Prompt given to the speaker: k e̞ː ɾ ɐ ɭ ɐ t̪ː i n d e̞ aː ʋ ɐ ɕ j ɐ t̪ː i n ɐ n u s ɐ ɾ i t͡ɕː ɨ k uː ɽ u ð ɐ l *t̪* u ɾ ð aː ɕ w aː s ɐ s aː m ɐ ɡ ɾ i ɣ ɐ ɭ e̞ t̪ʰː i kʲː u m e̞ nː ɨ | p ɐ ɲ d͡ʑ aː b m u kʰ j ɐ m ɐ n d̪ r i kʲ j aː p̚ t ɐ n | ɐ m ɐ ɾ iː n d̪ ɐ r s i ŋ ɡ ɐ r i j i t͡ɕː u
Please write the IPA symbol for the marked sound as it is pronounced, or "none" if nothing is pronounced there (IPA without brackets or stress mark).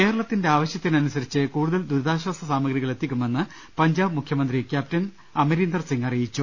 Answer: d̪